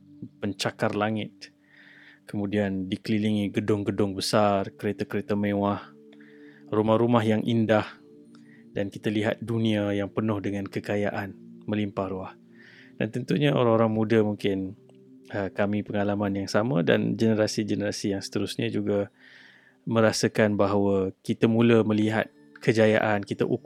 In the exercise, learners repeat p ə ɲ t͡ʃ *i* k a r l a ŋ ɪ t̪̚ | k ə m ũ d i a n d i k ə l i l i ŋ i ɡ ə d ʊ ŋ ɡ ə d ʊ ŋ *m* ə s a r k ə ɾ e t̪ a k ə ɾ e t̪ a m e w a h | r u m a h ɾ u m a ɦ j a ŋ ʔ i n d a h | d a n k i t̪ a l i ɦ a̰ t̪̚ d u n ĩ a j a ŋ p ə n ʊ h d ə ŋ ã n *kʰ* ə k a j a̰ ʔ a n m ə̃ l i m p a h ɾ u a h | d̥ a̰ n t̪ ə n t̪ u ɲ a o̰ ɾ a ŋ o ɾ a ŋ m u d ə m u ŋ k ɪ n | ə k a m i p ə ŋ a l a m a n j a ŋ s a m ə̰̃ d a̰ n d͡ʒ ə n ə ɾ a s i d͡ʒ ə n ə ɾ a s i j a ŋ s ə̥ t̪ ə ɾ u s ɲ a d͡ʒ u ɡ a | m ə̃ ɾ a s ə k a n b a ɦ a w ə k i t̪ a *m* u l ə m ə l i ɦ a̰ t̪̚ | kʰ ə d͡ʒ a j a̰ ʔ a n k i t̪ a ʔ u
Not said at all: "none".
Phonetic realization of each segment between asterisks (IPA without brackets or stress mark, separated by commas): a, b, k, m